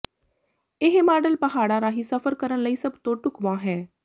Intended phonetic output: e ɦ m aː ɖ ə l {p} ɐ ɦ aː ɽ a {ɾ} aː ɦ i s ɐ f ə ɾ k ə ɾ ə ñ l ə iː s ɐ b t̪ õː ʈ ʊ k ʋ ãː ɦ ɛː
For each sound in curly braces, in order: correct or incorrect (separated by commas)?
correct, correct